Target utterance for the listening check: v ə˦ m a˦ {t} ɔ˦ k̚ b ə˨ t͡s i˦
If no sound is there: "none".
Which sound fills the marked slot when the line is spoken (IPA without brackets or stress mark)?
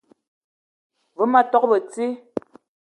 t